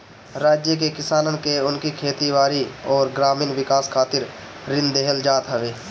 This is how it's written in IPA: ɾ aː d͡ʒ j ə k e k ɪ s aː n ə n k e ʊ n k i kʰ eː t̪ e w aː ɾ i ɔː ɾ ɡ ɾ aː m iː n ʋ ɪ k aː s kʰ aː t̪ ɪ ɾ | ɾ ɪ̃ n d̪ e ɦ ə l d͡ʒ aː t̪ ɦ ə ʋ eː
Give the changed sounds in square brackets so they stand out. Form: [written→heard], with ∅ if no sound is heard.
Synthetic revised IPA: ɾ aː d͡ʒ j ə k e k ɪ s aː n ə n k e ʊ n k i kʰ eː t̪ [e→i] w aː ɾ i ɔː ɾ ɡ ɾ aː m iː n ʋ ɪ k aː s kʰ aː t̪ ɪ ɾ | ɾ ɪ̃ n d̪ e ɦ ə l d͡ʒ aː t̪ ɦ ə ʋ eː